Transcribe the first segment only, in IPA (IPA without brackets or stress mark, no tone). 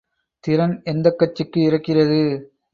t̪